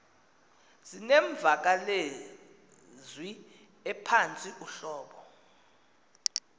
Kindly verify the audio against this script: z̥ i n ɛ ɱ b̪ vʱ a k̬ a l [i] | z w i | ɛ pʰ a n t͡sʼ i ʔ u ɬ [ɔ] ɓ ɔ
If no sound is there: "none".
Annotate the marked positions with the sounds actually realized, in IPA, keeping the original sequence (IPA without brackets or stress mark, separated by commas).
e, ɔː